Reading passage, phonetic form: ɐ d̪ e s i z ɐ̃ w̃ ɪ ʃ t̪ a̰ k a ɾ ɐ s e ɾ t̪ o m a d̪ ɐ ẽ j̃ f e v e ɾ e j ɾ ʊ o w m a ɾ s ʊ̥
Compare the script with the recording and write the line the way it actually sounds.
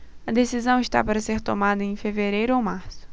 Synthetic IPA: ɐ d̪ e s i z ɐ̃ w̃ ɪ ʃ t̪ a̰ p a ɾ ɐ s e ɾ t̪ o m a d̪ ɐ ẽ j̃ f e v e ɾ e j ɾ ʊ o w m a ɾ s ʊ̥